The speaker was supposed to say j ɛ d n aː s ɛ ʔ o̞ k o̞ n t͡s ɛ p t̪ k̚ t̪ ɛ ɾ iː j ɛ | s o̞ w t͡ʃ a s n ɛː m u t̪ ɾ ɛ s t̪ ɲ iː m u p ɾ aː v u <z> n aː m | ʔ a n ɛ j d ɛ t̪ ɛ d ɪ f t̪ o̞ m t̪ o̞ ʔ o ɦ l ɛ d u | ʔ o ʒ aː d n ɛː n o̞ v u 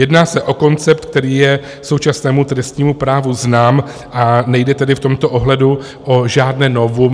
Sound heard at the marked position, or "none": z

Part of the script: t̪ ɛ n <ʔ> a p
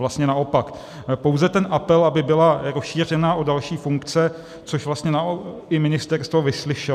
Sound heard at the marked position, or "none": ʔ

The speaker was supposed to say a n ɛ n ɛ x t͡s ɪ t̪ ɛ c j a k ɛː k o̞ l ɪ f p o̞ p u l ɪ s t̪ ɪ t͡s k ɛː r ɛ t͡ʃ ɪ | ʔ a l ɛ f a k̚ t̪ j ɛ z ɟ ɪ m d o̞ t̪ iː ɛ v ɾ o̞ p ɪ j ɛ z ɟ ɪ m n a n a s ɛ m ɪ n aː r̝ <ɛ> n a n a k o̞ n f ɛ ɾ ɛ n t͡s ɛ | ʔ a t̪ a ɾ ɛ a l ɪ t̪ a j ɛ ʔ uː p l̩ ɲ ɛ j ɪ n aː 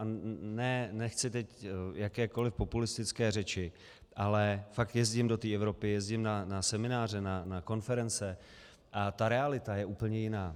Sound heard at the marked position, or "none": ɛ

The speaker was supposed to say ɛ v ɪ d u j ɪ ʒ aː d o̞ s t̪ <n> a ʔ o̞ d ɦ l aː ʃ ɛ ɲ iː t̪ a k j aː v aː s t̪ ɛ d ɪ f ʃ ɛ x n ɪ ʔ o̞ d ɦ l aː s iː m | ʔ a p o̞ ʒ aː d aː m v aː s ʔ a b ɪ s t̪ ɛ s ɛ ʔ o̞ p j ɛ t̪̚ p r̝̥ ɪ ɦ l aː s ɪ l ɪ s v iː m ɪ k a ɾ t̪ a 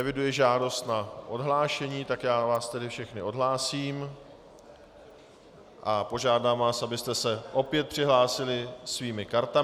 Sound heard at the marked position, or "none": n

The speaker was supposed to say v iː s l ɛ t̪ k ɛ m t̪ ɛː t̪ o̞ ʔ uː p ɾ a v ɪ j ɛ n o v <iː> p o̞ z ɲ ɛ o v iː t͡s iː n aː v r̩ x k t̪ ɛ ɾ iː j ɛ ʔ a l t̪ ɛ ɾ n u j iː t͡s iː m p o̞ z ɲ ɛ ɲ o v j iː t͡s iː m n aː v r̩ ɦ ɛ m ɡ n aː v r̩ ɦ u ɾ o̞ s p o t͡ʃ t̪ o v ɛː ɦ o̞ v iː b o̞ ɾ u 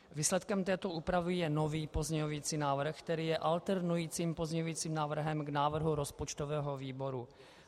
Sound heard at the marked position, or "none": iː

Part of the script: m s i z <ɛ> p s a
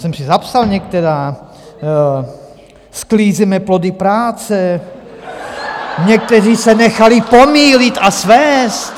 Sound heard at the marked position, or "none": a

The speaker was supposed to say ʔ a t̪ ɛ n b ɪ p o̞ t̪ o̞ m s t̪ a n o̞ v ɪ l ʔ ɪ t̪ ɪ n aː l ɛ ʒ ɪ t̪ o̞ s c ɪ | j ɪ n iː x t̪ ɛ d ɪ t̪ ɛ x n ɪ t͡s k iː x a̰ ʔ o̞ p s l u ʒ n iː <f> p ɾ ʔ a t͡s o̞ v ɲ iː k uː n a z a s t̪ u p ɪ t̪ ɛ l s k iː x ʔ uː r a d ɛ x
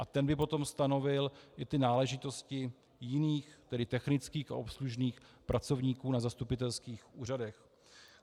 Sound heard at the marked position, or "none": x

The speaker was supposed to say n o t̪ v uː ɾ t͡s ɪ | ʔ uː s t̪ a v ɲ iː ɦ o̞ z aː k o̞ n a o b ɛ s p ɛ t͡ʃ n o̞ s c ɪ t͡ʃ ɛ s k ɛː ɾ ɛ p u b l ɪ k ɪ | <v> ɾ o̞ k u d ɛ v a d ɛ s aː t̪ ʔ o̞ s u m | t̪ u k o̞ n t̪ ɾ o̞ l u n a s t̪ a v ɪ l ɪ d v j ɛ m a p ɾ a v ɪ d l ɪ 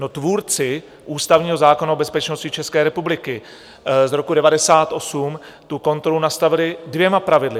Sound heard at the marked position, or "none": z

